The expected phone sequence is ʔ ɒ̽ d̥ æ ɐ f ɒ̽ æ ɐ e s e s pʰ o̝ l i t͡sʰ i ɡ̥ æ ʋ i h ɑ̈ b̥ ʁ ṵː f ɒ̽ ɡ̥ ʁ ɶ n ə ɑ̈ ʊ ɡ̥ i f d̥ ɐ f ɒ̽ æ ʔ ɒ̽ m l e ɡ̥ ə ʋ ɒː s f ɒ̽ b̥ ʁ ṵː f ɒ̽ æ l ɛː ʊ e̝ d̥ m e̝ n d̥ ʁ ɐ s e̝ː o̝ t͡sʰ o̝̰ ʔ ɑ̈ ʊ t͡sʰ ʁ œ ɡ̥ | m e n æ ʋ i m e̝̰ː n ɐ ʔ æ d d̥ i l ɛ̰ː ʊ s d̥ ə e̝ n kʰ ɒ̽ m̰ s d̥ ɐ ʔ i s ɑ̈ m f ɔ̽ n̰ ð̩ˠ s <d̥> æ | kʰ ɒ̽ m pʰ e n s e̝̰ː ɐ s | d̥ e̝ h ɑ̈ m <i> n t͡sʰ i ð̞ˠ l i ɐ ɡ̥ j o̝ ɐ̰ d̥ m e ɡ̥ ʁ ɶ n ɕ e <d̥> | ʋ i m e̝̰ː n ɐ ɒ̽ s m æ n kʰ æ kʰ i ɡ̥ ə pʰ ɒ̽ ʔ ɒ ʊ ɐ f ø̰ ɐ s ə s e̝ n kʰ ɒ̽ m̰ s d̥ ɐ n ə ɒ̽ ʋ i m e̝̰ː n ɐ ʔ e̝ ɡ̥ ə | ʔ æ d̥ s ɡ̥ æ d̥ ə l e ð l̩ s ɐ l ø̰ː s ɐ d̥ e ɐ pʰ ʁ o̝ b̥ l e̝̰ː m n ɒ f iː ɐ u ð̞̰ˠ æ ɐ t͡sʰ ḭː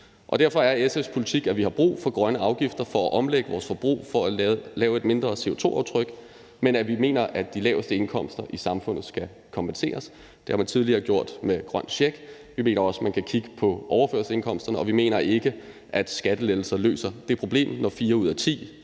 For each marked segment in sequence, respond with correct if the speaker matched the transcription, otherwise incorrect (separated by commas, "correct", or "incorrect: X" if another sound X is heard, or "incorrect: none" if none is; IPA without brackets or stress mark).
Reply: incorrect: ɡ̥, incorrect: æ, incorrect: ɡ̥